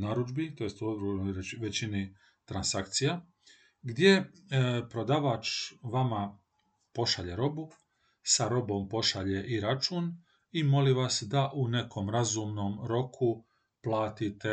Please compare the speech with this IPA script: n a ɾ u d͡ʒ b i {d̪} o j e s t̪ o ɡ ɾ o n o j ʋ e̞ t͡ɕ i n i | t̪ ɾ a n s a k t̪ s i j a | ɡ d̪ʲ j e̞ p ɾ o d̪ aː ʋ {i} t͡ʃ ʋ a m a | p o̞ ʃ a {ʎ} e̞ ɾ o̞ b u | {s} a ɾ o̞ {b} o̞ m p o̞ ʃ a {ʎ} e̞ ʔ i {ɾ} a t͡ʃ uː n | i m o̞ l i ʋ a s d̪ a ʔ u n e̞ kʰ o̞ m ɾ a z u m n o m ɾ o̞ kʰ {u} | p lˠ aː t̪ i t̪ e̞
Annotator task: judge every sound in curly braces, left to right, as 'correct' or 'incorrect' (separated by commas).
incorrect, incorrect, correct, correct, correct, correct, correct, correct